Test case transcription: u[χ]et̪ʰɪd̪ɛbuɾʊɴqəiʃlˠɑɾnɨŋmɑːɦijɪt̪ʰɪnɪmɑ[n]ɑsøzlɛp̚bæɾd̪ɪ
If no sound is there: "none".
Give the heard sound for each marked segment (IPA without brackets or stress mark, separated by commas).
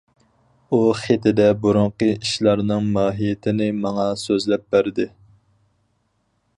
χ, ŋ